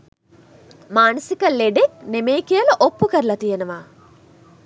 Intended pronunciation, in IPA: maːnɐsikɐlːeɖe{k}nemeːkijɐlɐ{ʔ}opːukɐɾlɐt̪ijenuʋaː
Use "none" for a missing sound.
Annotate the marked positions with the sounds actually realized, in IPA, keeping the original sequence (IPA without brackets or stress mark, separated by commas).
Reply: k, ʔ